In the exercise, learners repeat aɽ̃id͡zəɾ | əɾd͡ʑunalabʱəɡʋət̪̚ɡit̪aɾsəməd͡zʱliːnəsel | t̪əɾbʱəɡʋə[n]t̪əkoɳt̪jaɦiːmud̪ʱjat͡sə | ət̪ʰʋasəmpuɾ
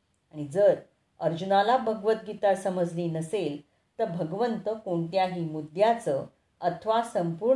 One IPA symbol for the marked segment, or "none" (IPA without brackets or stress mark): n